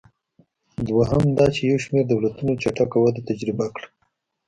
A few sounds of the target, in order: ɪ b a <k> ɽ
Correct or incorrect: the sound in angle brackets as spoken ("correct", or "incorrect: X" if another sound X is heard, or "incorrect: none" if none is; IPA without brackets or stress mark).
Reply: correct